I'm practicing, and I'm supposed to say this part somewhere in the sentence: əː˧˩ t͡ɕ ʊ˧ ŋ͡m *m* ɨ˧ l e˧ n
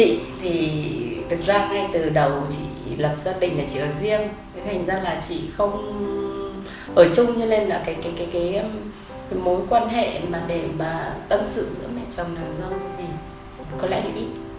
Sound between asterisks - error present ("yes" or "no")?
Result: yes